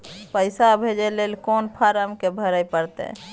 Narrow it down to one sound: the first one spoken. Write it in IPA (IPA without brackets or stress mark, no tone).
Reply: p